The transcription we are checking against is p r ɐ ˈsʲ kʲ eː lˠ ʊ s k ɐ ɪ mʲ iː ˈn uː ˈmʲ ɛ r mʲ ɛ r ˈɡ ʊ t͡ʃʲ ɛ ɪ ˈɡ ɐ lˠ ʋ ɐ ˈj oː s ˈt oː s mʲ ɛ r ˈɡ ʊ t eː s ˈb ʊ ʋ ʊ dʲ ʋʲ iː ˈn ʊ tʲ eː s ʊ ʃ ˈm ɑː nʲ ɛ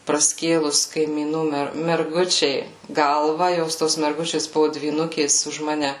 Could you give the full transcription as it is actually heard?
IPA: p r ɐ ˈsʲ kʲ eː lˠ ʊ s k ɐ ɪ mʲ iː ˈn uː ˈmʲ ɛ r mʲ ɛ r ˈɡ ʊ t͡ʃʲ ɛ ɪ ˈɡ ɐ lˠ ʋ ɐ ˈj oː s ˈt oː s mʲ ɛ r ˈɡ ʊ t͡ʃʲ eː s ˈb ʊ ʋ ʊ dʲ ʋʲ iː ˈn ʊ kʲ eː s ʊ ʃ ˈm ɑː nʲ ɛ